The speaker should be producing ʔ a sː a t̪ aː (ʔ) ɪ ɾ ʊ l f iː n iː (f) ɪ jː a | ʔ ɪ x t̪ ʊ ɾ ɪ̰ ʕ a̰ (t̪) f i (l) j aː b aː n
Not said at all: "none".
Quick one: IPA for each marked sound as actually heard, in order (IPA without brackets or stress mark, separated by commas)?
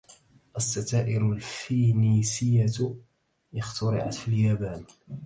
ʔ, s, t̪, l